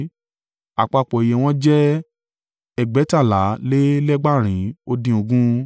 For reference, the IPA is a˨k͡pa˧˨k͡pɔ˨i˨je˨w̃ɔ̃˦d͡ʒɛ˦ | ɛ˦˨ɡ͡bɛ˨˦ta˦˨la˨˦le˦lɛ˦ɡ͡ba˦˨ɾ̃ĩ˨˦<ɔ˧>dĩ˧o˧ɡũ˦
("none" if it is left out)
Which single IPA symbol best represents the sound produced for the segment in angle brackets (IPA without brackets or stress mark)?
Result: o˧